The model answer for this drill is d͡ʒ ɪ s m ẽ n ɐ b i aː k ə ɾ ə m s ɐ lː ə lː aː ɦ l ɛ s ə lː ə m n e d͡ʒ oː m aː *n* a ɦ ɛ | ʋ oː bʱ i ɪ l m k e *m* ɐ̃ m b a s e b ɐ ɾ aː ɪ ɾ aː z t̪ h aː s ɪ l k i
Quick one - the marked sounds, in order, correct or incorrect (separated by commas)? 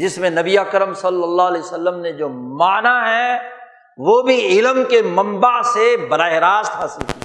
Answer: correct, correct